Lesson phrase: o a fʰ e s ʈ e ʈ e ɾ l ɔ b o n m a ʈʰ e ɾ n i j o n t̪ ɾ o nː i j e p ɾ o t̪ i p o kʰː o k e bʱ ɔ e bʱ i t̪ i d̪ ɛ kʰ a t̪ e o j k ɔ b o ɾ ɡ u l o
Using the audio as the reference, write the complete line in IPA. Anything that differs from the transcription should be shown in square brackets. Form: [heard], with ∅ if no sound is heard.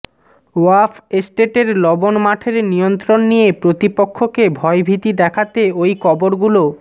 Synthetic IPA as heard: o a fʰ e s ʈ e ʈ e ɾ l ɔ b o n m a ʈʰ e ɾ n i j o n t̪ ɾ o nː i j e p ɾ o t̪ i p o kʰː o k e bʱ ɔ e bʱ i t̪ i d̪ ɛ kʰ a t̪ e o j k ɔ b o ɾ ɡ u l o